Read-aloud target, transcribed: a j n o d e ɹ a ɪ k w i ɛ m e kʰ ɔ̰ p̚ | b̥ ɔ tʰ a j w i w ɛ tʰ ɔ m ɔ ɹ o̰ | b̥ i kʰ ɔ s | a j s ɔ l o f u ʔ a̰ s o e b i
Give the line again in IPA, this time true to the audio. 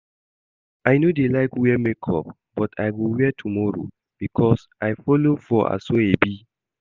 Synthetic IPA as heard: a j n o d e l a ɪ k w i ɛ m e kʰ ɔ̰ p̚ | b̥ ɔ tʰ a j w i w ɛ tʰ u m ɔ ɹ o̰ | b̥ i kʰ ɔ s | a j f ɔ l o f ɔ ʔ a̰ s o e b i

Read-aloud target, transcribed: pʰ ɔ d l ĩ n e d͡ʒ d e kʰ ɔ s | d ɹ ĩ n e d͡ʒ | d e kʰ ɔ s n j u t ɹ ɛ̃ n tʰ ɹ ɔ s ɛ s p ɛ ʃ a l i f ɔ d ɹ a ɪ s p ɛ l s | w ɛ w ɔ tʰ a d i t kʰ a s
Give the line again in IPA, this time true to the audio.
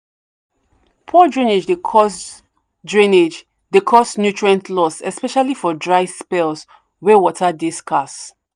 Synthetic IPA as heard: pʰ ɔ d ɹ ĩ n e d͡ʒ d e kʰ ɔ s | d ɹ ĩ n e d͡ʒ | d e kʰ ɔ s n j u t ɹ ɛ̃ n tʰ l ɔ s ɛ s p ɛ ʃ a l i f ɔ d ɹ a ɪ s p ɛ l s | w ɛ w ɔ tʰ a d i s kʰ a s

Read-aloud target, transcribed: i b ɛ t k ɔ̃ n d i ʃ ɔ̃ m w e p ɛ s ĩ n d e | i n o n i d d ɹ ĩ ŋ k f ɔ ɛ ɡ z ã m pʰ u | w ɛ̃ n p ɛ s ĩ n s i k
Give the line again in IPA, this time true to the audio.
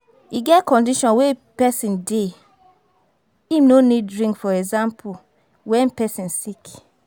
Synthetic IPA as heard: i ɡ ɛ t k ɔ̃ n d i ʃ ɔ̃ n w e p ɛ s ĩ n d e | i n o n i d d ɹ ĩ ŋ k f ɔ ɛ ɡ z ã m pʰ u | w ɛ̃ n p ɛ s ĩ n s i k

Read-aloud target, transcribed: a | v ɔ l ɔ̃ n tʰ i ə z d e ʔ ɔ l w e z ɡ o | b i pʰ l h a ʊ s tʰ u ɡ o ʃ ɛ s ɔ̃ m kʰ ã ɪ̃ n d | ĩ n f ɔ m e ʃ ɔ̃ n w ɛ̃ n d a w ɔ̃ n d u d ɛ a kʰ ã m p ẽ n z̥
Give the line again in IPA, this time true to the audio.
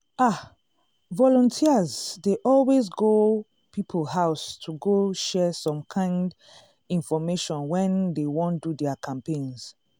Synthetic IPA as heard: a | v ɔ l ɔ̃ n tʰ i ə z d e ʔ ɔ l w e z ɡ o | p i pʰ l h a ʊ s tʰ u ɡ o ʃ ɛ s ɔ̃ m kʰ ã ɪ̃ n d | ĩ n f ɔ m e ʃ ɔ̃ n w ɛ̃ n d e w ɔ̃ n d u d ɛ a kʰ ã m p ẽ n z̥

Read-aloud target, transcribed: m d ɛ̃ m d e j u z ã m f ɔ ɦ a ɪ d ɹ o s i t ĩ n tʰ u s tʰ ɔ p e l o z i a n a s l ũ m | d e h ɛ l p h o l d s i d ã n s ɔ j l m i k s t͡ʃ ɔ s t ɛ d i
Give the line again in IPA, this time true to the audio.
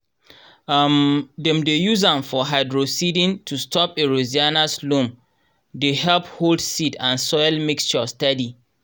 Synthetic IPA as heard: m d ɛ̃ m d e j u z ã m f ɔ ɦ a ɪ d ɹ o s i d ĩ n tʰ u s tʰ ɔ p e ɹ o z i a n a s l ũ m | d e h ɛ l p h o l d s i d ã n s ɔ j l m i k s t͡ʃ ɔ s t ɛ d i

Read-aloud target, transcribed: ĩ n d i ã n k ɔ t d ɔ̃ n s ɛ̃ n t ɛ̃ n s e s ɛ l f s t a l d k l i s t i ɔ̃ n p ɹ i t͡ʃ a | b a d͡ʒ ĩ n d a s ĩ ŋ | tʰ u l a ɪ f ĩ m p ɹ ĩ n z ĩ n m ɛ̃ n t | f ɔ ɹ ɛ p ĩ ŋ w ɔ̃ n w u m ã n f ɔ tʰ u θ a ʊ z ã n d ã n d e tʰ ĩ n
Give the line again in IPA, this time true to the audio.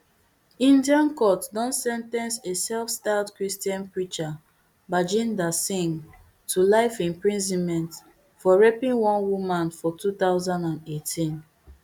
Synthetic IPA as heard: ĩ n d i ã n k ɔ t d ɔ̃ n s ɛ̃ n t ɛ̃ n s e s ɛ l f s t a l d k ɹ i s t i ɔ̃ n p ɹ i t͡ʃ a | b a d͡ʒ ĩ n d a s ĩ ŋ | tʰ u l a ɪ f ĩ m p ɹ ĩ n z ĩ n m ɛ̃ n t | f ɔ ɹ ɛ p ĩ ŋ w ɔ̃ n w u m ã n f ɔ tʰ u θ a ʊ z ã n d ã n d e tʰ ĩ n

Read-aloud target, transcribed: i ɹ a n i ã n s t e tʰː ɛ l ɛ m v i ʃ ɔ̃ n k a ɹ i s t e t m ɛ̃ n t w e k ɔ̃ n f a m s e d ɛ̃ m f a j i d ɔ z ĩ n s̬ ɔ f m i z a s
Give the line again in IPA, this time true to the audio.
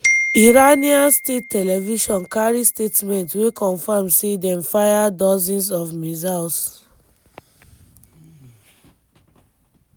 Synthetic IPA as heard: i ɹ a n i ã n s t e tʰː ɛ l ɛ v i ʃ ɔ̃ n k a ɹ i s t e t m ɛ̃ n t w e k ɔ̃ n f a m s e d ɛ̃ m f a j a d ɔ z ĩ n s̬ ɔ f m i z a s

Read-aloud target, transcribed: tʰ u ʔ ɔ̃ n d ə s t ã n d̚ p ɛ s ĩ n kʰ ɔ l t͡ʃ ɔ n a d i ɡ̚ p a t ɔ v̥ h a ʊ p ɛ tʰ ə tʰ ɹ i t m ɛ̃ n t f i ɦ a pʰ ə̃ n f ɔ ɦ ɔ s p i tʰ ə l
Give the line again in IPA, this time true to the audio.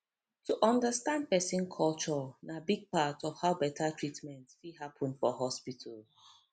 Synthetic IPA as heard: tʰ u ʔ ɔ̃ n d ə s t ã n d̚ p ɛ s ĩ n kʰ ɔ l t͡ʃ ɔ n a b i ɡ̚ p a t ɔ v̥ h a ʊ b ɛ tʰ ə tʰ ɹ i t m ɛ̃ n t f i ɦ a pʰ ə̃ n f ɔ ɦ ɔ s p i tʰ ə l

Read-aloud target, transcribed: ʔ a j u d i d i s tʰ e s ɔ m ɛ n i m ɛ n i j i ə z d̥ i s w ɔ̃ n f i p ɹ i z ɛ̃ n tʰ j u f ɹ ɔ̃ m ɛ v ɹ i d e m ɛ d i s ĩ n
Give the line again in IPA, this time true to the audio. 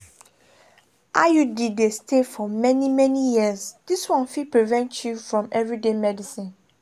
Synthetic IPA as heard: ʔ a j u d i d e s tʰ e f ɔ m ɛ n i m ɛ n i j i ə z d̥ i s w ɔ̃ n f i p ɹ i v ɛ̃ n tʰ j u f ɹ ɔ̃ m ɛ v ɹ i d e m ɛ d i s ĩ n

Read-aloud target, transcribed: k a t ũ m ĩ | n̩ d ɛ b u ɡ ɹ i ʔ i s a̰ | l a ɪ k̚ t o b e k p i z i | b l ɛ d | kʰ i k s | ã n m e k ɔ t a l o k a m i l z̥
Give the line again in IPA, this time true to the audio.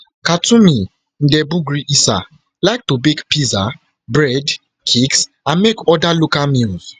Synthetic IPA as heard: k a t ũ m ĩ | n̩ d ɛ b u ɡ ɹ i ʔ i s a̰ | l a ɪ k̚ t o b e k p i z a | b ɹ ɛ d | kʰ i k s | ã n m e k ɔ d a l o k a m i l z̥

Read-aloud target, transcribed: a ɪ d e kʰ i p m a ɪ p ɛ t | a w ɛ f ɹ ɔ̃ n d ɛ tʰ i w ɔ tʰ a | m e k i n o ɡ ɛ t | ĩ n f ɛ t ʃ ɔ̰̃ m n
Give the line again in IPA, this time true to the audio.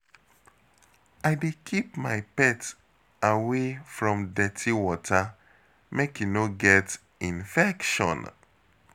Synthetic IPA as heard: a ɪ d e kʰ i p m a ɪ p ɛ t | a w e f ɹ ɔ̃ m d ɛ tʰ i w ɔ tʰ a | m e k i n o ɡ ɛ t | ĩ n f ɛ k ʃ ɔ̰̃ n

